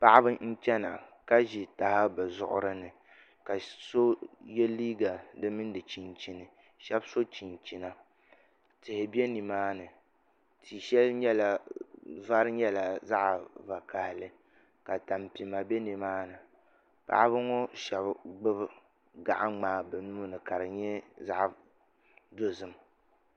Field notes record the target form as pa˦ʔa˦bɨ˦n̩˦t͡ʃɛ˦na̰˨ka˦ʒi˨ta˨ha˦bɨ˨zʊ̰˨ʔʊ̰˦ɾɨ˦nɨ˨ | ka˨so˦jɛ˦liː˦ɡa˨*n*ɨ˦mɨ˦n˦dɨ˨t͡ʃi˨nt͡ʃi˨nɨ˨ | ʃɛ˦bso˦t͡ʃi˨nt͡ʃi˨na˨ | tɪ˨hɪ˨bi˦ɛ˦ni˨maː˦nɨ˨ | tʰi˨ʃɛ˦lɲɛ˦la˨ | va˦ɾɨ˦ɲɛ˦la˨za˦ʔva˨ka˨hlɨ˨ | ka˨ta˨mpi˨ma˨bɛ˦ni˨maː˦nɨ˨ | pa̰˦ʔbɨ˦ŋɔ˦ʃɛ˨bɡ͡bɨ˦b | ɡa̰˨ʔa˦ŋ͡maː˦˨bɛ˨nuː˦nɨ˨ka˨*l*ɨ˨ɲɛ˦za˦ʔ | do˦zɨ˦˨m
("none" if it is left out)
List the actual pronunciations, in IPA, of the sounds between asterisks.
d, ɾ

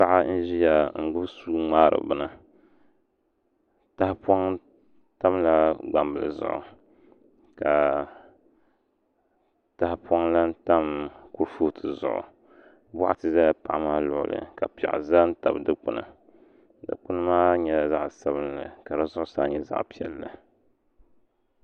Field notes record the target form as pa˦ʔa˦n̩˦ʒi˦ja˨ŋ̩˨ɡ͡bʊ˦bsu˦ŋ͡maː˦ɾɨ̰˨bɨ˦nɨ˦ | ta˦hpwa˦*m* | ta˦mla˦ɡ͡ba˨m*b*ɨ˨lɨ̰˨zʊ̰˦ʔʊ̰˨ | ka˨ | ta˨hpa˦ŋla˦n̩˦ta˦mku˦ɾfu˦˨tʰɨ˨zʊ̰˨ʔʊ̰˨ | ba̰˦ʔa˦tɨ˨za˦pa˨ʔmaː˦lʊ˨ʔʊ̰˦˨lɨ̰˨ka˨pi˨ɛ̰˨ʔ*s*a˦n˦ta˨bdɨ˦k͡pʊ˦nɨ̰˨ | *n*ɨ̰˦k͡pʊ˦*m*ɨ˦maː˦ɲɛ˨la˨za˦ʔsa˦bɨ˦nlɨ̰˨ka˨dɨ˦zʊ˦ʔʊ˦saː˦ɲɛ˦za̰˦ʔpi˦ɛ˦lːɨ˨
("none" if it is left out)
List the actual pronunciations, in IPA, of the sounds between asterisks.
ŋ, b, z, d, n

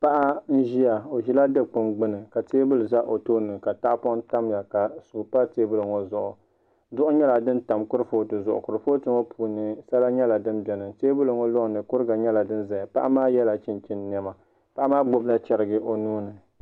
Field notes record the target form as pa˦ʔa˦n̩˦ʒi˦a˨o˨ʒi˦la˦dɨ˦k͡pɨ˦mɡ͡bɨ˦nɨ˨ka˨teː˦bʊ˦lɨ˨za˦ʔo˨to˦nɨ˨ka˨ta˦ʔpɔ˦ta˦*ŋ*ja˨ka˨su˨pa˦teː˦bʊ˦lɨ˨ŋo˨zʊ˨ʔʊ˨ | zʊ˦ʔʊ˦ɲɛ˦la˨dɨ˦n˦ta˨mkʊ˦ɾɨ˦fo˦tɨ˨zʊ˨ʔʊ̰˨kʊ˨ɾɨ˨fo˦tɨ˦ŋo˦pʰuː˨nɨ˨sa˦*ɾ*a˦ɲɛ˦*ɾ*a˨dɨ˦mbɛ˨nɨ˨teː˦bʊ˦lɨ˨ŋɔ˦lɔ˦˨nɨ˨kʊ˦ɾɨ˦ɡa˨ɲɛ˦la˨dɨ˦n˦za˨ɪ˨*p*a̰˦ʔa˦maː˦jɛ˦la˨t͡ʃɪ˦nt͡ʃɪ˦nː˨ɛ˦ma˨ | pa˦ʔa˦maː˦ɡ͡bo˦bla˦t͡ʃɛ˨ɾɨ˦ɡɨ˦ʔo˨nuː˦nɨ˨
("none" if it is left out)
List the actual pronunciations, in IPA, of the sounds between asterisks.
m, l, l, p

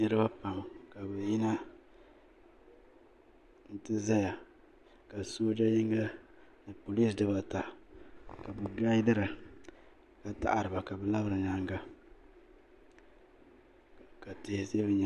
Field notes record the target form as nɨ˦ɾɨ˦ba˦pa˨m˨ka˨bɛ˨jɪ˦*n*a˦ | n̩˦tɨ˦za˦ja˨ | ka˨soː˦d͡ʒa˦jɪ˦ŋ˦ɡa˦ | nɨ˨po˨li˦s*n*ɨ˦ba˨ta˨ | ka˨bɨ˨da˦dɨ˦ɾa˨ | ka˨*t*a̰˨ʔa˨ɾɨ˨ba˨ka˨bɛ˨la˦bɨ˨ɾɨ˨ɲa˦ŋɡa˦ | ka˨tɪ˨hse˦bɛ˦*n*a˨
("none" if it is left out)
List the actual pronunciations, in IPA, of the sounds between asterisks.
n, d, t, ɲ

